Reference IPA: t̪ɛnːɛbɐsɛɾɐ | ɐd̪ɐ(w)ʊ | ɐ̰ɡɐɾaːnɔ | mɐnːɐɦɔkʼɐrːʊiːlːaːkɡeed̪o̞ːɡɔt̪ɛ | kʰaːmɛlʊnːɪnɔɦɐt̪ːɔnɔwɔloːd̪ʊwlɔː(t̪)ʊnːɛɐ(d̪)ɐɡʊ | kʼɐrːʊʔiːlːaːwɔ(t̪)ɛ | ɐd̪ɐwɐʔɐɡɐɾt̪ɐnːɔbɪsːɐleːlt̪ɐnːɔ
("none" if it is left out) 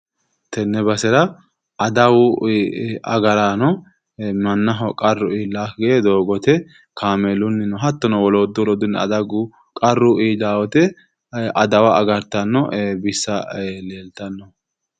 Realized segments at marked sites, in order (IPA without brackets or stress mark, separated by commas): w, d̪, d̪, t̪